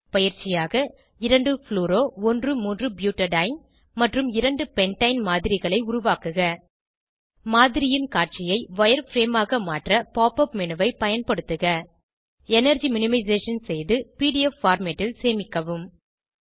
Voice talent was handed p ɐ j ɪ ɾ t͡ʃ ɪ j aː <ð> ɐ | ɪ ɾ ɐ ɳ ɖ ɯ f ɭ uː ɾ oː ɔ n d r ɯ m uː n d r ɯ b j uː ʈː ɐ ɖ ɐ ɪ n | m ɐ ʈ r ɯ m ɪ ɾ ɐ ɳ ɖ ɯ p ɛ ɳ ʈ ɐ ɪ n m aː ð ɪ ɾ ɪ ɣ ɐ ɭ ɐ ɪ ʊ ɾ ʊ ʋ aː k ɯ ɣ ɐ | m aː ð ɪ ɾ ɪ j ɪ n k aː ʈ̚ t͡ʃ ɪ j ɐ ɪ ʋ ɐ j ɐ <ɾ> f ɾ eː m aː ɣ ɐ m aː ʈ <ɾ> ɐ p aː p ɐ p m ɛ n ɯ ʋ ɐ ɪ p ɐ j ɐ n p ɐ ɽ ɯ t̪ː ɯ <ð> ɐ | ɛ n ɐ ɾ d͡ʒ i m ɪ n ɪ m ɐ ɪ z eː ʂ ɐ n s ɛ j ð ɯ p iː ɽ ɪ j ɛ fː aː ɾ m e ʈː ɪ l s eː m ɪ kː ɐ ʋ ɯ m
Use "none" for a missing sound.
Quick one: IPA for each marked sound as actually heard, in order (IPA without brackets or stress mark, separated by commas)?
ɣ, ɾ, r, ɣ